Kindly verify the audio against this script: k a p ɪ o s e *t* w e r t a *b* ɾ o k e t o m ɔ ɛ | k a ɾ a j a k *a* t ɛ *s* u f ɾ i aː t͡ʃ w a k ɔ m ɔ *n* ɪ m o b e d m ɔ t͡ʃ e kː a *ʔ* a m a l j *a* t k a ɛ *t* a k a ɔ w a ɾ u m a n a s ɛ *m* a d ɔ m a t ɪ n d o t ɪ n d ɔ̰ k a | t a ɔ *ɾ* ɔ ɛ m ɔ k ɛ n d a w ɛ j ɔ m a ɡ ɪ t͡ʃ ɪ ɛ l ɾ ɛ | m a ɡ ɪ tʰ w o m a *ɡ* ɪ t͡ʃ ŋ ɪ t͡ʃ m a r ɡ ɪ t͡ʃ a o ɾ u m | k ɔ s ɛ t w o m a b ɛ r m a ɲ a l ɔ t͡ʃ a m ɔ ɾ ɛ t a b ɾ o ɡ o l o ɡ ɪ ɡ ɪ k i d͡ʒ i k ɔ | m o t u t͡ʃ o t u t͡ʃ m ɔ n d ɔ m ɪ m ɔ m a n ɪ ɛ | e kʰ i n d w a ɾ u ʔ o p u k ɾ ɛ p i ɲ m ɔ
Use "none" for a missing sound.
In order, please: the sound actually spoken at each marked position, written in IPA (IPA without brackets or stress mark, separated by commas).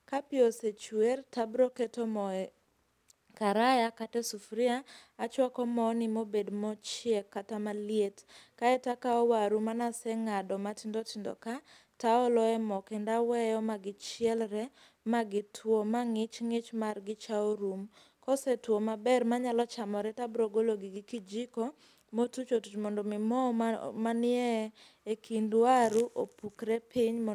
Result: t͡ʃ, b, a, s, n, t, e, t, ŋ, l, ŋ